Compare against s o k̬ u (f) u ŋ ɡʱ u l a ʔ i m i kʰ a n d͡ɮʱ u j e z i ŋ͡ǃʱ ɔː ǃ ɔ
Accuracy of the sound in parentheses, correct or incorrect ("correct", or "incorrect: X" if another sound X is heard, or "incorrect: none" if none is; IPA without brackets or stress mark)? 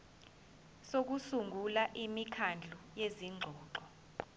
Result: incorrect: s